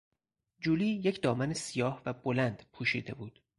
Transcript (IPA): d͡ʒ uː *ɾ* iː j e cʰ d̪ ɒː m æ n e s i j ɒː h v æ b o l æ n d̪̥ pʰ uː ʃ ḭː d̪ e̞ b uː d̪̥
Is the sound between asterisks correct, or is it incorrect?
incorrect